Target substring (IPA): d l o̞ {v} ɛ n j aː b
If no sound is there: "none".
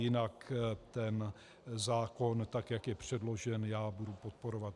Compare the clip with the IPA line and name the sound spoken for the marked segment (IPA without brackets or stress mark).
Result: ʒ